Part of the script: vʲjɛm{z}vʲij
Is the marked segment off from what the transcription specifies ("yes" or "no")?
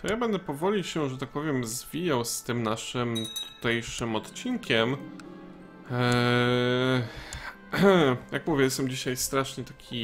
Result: no